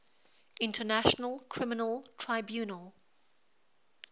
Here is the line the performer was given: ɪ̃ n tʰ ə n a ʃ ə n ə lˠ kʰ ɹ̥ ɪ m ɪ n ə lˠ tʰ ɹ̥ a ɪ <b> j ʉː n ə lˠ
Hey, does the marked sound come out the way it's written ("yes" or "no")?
yes